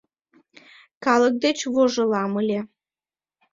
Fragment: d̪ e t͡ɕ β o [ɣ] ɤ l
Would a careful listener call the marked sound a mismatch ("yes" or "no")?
yes